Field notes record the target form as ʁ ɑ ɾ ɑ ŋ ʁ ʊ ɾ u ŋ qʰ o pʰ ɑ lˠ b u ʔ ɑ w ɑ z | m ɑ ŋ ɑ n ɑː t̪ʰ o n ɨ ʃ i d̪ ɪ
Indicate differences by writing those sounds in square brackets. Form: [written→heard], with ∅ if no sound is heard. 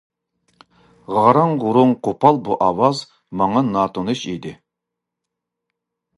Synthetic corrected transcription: ʁ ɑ ɾ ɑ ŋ ʁ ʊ ɾ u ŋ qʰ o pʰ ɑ lˠ b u ʔ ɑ w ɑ z | m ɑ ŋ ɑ n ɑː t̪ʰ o n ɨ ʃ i d̪ ɪ